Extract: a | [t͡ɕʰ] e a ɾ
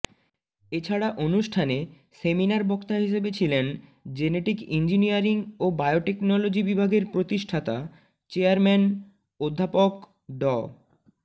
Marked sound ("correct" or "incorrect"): incorrect